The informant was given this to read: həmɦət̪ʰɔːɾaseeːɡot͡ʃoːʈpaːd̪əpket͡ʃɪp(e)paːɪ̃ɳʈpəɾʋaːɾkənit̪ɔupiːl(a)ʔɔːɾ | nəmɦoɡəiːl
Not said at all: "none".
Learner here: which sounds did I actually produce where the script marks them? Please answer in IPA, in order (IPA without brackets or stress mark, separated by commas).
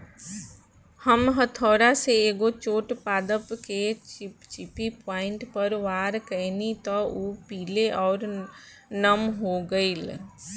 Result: i, e